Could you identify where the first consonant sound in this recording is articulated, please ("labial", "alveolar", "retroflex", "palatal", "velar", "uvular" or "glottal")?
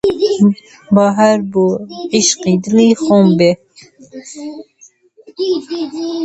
labial